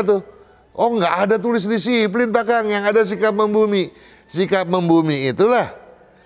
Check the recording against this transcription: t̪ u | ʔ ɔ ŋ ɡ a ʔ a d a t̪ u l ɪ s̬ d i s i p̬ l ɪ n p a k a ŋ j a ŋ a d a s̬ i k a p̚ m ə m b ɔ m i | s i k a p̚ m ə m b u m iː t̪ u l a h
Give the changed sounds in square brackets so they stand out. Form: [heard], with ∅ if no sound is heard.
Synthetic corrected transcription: t̪ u | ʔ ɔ ŋ ɡ a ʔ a d a t̪ u l ɪ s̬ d i s i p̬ l ɪ n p a k a ŋ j a ŋ a d a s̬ i k a p̚ m ə m b [u] m i | s i k a p̚ m ə m b u m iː t̪ u l a h